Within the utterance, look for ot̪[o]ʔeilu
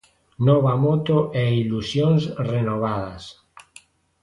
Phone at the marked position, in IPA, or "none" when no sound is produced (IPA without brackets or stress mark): o